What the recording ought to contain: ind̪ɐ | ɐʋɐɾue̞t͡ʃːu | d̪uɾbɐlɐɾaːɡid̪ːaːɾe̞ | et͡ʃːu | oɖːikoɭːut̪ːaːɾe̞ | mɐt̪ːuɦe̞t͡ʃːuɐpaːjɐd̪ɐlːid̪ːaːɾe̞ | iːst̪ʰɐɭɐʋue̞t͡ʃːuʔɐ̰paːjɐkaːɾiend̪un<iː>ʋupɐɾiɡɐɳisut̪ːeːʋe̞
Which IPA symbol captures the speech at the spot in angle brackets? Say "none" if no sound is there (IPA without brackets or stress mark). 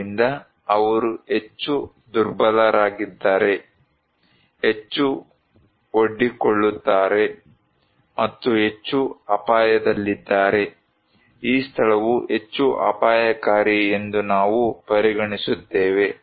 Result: aː